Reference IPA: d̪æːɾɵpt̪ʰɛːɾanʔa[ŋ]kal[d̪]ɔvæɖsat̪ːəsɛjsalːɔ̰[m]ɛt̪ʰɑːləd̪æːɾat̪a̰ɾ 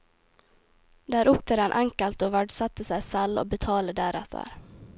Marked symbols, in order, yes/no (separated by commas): yes, no, no